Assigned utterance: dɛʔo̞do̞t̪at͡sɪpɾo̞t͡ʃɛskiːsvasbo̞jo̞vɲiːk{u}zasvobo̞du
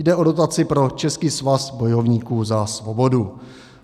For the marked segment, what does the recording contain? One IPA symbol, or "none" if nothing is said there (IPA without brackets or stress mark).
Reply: uː